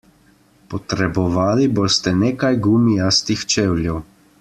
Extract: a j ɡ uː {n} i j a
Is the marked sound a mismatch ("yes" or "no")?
yes